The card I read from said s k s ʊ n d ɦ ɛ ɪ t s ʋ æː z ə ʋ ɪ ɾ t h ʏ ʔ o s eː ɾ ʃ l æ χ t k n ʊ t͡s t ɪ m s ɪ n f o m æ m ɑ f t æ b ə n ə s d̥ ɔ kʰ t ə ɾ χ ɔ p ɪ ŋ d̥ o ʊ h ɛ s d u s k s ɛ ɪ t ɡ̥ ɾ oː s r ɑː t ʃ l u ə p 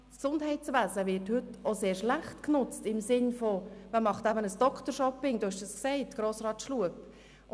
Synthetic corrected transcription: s k s ʊ n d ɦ ɛ ɪ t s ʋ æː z ə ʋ ɪ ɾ t h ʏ t o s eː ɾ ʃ l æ χ t k n ʊ t͡s t ɪ m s ɪ n f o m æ m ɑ χ t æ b ə n ə s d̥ ɔ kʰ t ə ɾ ʃ ɔ p ɪ ŋ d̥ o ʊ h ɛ ʃ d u s k s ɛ ɪ t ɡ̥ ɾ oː s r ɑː t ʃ l u ə p